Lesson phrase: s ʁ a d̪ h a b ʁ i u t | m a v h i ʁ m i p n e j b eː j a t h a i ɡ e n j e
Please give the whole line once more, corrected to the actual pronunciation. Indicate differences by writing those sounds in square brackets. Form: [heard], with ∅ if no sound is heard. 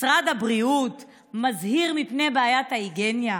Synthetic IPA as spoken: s ʁ a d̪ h a b ʁ i u t | m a [z] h i ʁ m i p n e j b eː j a t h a i ɡ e n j [a]